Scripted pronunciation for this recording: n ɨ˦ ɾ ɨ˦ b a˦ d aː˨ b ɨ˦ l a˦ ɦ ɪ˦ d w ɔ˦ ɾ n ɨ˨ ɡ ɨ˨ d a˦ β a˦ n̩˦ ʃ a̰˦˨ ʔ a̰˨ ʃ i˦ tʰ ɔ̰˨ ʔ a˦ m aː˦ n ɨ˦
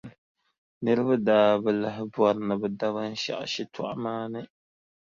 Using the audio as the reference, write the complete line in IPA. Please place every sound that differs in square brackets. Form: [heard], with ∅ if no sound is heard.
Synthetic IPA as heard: n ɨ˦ ɾ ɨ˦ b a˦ d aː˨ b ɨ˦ l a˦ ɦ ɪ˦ [b] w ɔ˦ ɾ n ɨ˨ [b] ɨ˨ d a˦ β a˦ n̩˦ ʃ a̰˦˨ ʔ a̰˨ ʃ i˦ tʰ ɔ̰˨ ʔ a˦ m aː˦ n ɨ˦